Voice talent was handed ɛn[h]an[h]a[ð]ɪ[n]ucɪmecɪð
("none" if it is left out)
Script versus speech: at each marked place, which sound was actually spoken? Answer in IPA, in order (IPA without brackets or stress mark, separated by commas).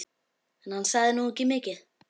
h, s, ð, n